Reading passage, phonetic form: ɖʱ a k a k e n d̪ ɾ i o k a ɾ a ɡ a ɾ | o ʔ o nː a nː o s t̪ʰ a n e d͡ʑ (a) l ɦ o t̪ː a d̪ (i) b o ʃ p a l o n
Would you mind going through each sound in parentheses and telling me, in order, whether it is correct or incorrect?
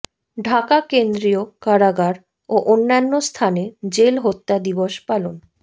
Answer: incorrect: e, correct

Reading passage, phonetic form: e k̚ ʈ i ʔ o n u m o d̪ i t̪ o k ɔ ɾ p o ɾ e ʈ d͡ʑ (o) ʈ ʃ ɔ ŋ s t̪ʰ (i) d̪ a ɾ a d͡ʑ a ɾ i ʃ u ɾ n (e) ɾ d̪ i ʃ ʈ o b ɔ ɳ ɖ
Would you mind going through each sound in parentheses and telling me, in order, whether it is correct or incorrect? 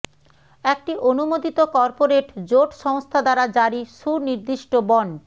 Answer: correct, incorrect: a, incorrect: i

